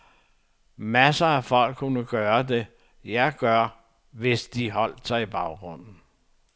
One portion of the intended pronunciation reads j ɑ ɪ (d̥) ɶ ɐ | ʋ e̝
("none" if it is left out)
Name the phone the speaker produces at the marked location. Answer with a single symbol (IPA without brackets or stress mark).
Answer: ɡ̥